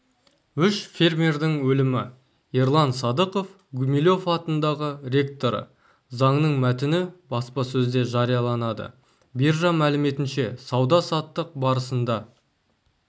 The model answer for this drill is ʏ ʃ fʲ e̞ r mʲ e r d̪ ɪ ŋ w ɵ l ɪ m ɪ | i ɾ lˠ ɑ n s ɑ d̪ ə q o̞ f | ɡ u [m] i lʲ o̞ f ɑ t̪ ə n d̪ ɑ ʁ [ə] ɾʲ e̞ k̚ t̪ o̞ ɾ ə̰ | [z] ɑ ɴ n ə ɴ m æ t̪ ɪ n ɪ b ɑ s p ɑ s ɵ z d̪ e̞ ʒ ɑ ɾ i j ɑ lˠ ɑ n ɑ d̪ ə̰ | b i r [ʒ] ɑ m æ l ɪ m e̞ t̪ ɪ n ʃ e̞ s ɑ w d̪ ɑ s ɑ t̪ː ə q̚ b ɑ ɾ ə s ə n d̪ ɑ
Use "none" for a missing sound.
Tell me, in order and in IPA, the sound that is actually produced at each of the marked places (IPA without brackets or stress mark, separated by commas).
m, ə, z, ʒ